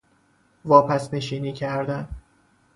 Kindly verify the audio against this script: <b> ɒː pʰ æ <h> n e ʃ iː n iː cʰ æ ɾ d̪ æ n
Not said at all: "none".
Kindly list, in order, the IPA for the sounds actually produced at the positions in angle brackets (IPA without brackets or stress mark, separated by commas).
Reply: v, s